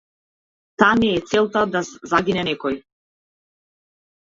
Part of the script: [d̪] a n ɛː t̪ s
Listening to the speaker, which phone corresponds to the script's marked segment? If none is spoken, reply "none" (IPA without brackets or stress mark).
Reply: t̪